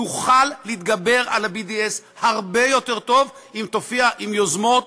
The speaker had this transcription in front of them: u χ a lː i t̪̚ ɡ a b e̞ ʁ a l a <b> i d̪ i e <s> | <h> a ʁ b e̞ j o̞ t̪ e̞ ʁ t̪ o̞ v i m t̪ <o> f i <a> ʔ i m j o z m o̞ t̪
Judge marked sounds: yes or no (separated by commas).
yes, yes, yes, yes, yes